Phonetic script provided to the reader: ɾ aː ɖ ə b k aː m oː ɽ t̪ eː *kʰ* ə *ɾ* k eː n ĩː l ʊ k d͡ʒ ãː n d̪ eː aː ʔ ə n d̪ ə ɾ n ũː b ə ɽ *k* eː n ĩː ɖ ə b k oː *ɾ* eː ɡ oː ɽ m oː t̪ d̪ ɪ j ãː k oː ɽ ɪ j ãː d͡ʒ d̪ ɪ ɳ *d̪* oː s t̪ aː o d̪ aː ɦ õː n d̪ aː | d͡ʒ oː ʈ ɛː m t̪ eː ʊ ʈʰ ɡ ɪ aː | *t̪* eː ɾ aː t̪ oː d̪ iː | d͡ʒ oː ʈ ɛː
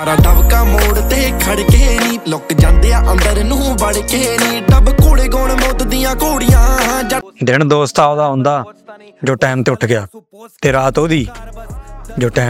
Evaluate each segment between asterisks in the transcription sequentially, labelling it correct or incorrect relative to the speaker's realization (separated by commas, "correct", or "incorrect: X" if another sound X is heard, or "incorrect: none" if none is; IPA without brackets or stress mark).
correct, incorrect: ɽ, correct, incorrect: ɽ, correct, correct